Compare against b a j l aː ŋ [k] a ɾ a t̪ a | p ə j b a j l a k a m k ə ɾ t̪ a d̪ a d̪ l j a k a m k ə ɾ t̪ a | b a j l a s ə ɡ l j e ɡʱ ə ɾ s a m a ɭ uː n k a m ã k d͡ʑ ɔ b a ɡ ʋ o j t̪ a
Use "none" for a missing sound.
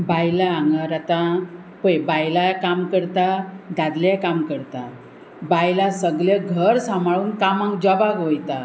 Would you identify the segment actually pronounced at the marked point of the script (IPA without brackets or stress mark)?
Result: ɡ